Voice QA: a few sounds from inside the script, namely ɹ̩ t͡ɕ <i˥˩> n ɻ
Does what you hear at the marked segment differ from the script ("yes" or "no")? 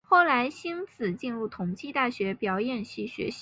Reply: yes